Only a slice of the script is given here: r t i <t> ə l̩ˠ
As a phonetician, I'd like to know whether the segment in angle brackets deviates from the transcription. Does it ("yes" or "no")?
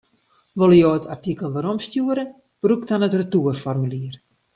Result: yes